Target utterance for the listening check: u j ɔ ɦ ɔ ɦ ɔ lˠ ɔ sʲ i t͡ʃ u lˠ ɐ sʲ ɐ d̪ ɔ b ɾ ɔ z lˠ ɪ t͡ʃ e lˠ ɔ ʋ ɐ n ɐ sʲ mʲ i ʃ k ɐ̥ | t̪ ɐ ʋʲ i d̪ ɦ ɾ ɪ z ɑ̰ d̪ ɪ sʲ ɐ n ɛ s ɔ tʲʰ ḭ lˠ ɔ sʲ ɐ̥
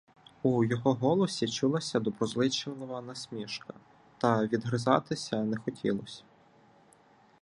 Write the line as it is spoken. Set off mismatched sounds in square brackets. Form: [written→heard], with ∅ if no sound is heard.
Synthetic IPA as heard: u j ɔ ɦ ɔ ɦ ɔ lˠ ɔ sʲ i t͡ʃ u lˠ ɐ sʲ ɐ d̪ ɔ b ɾ ɔ z lˠ ɪ t͡ʃ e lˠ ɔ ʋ ɐ n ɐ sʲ mʲ i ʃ k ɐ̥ | t̪ ɐ ʋʲ i d̪ ɦ ɾ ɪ z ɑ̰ [d̪→t̪] ɪ sʲ ɐ n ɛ [s→x] ɔ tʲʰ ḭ lˠ ɔ sʲ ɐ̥